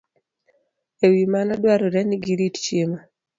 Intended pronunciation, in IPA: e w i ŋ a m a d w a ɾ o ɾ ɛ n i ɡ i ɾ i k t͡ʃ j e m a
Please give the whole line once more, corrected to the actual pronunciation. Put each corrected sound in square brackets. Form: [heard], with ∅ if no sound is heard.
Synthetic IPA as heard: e w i [m] a [n] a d w a ɾ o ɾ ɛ n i ɡ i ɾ i [t] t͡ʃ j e m a